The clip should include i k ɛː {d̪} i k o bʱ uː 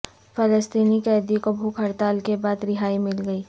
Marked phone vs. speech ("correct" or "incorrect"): correct